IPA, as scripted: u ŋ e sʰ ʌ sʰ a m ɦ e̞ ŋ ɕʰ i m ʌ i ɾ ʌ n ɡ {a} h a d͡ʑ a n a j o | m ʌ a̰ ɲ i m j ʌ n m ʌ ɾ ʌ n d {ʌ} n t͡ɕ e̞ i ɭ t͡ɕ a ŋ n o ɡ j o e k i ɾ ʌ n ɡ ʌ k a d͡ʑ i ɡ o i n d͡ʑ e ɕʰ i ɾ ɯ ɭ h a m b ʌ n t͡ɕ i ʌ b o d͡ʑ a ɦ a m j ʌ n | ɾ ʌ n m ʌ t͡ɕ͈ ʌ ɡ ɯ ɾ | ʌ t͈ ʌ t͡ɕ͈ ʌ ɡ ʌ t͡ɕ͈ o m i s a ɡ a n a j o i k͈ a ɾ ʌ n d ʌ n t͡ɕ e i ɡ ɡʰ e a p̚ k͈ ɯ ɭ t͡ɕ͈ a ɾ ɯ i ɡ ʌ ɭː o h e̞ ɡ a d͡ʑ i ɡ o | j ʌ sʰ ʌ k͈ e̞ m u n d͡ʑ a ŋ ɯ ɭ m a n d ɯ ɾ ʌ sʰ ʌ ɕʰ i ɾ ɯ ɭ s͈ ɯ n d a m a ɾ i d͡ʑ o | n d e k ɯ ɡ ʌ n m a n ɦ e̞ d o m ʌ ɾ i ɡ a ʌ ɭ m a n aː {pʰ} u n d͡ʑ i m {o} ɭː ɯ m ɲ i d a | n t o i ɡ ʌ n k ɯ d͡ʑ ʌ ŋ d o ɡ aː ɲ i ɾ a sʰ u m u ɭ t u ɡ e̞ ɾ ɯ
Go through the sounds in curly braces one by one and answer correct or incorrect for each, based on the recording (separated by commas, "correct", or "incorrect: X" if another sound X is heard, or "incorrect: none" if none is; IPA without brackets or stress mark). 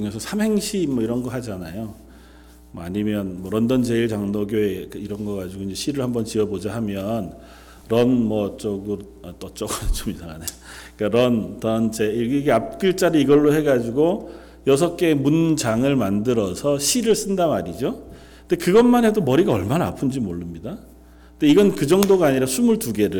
incorrect: ʌ, correct, correct, correct